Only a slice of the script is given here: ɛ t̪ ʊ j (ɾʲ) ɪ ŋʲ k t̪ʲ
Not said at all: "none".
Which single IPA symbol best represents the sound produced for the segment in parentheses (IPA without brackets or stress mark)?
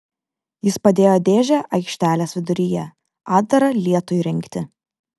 ɾʲ